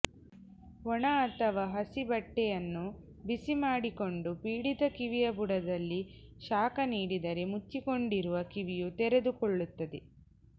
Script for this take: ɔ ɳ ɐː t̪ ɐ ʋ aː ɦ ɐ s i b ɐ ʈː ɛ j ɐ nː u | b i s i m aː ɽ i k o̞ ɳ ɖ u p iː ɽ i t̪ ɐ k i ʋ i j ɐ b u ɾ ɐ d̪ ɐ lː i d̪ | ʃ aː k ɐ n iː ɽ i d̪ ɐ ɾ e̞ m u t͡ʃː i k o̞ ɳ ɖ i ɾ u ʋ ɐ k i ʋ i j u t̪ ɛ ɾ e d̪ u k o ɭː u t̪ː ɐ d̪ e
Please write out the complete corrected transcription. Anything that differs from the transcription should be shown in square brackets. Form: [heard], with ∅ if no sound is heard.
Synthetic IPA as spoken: ɔ ɳ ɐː t̪ ɐ ʋ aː ɦ ɐ s i b ɐ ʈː ɛ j ɐ nː u | b i s i m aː ɽ i k o̞ ɳ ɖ u p iː ɽ i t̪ ɐ k i ʋ i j ɐ b u [ɽ] ɐ d̪ ɐ lː i [∅] | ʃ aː k ɐ n iː ɽ i d̪ ɐ ɾ e̞ m u t͡ʃː i k o̞ ɳ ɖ i ɾ u ʋ ɐ k i ʋ i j u t̪ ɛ ɾ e d̪ u k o ɭː u t̪ː ɐ d̪ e